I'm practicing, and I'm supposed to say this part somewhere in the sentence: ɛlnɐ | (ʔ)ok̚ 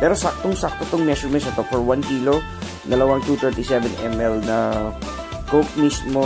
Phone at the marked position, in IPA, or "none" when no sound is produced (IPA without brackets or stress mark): k